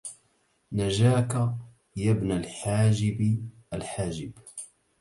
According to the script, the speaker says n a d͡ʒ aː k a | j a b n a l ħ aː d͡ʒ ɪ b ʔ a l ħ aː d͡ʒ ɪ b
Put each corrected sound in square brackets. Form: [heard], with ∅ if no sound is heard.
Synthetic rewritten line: n a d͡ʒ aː k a | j a b n a l ħ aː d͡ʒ ɪ b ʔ a l ħ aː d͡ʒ ɪ b